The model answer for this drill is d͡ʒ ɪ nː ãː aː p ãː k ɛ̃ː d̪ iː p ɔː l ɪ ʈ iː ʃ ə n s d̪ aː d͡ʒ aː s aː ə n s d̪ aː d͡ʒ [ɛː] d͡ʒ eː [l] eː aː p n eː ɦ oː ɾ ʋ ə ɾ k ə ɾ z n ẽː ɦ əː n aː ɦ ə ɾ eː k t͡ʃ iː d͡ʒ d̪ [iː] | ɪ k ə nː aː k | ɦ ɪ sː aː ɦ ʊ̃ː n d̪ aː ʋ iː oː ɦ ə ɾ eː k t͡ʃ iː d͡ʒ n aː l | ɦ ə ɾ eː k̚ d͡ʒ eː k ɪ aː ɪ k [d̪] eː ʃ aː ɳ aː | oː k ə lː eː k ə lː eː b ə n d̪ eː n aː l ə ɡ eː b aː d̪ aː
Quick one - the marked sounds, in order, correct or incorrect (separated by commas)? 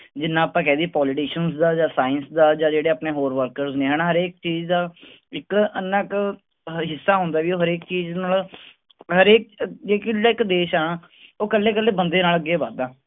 incorrect, incorrect, incorrect, correct